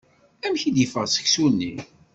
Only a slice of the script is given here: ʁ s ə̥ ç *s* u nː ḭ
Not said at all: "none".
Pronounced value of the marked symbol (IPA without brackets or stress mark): s